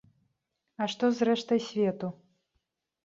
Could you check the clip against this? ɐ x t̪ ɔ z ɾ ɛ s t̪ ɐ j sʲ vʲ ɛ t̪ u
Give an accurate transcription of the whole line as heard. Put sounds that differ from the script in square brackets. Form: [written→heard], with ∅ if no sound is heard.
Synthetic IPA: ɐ [x→ʂ] t̪ ɔ z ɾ ɛ [s→ʂ] t̪ ɐ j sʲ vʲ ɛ t̪ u